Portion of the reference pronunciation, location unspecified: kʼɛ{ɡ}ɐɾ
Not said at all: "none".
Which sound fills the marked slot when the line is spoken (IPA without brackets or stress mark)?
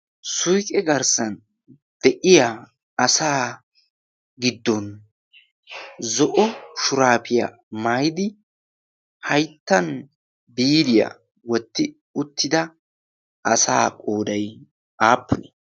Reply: ɡ